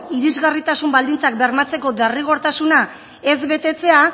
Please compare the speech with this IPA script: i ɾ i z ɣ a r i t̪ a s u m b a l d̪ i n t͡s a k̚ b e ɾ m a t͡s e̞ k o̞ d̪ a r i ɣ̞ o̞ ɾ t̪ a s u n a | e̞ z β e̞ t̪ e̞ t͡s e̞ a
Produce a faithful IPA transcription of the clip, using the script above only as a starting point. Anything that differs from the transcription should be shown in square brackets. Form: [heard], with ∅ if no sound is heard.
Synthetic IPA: i ɾ i z ɣ a r i t̪ a s u m b a l d̪ i n t͡s a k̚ b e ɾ m a t͡s e̞ k o̞ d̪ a r i ɣ̞ o̞ ɾ t̪ a s u n a | e̞ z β e̞ t̪ e̞ t͡s e̞ a